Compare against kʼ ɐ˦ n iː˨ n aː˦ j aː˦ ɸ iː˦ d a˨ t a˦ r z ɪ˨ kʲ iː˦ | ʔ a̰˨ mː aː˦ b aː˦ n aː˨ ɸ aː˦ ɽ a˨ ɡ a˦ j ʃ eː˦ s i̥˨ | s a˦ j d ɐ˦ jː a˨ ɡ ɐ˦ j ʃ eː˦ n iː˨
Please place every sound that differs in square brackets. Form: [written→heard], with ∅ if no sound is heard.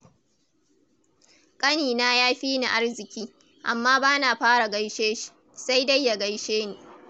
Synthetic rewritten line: kʼ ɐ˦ n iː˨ n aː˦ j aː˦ ɸ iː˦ [d→n] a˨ [t→ʔ] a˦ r z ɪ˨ kʲ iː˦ | ʔ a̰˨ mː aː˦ b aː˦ n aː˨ ɸ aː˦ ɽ a˨ ɡ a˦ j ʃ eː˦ [s→ʃ] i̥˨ | s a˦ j d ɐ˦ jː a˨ ɡ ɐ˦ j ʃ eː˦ n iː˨